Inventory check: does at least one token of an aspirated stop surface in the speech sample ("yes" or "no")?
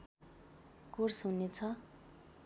yes